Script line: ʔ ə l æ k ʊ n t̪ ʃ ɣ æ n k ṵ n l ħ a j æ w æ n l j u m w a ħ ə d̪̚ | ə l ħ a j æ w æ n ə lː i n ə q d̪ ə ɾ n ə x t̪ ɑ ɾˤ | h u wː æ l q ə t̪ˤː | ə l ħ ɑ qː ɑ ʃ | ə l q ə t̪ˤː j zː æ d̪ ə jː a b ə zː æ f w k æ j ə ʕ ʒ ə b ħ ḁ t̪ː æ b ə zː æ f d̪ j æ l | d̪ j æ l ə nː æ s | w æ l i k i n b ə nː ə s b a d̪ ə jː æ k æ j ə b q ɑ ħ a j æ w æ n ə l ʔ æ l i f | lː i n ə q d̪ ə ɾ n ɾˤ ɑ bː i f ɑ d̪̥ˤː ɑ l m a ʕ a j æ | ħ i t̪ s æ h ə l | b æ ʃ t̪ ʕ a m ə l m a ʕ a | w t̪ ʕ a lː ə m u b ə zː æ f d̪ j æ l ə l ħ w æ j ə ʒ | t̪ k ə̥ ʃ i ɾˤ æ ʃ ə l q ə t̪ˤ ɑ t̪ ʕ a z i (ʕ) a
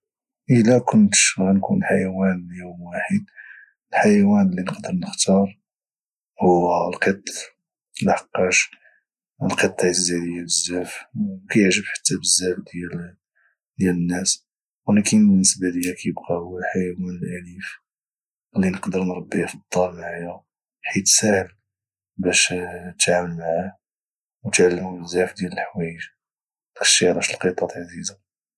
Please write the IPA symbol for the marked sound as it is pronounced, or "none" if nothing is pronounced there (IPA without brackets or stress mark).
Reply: z